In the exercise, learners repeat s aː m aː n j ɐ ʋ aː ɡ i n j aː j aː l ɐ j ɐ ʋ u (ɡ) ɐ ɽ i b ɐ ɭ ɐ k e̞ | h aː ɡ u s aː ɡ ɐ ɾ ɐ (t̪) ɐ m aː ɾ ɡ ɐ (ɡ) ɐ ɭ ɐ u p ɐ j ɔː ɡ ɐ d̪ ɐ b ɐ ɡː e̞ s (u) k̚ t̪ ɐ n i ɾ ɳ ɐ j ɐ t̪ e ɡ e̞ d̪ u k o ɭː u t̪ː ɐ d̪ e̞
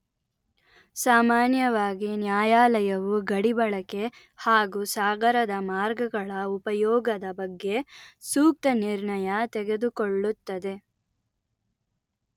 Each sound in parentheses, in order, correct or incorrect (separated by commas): correct, incorrect, correct, incorrect